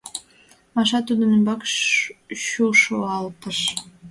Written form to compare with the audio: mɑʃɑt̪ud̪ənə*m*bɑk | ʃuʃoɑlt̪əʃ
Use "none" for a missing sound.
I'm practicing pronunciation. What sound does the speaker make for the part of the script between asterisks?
m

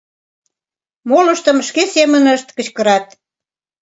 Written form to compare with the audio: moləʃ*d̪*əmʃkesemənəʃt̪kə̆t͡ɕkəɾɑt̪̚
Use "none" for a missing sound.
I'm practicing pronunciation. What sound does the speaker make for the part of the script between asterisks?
t̪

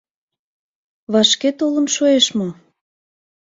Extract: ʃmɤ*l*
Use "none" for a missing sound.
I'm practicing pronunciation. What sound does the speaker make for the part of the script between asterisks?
none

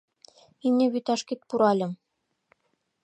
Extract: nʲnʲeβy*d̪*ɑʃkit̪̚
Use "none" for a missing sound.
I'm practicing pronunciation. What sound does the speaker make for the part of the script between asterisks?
t̪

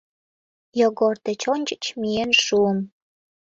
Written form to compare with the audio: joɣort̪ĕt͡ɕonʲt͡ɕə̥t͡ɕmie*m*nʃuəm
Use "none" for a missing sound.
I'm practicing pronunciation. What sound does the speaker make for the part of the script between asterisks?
none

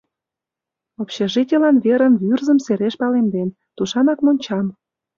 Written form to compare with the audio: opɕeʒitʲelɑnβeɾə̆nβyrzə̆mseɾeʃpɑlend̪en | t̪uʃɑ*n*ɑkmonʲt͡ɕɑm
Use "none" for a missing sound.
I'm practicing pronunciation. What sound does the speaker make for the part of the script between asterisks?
n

